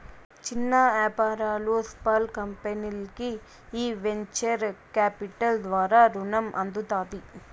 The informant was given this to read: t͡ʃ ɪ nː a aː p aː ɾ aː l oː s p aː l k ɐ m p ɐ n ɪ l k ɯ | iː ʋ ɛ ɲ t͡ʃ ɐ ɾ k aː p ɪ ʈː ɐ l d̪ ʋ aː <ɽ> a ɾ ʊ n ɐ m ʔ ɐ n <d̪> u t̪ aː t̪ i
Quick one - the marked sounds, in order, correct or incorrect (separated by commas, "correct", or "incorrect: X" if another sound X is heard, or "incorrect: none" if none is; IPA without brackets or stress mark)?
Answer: incorrect: ɾ, correct